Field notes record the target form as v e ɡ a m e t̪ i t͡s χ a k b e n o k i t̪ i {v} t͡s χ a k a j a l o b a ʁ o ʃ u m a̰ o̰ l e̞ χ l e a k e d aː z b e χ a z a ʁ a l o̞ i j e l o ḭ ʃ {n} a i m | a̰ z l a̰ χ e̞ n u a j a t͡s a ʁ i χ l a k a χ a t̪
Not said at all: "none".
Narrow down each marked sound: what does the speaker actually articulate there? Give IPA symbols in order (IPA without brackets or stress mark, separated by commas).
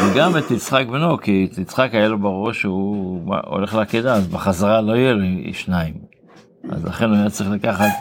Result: none, n